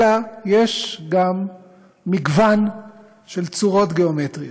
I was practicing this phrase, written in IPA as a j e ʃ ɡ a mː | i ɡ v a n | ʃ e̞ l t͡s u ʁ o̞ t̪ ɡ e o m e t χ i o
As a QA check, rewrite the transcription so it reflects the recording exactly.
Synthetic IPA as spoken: a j e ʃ ɡ a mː | i ɡ v a n | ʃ e̞ l t͡s u ʁ o̞ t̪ ɡ e o m e t ʁ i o